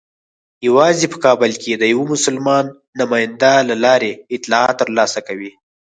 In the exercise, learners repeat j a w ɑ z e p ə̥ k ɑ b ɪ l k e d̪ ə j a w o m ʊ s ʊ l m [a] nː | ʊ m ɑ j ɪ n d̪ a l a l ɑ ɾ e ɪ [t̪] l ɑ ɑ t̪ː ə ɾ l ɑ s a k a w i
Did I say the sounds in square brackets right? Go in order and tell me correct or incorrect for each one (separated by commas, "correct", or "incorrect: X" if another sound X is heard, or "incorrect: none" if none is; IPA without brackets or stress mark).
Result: incorrect: ɑ, correct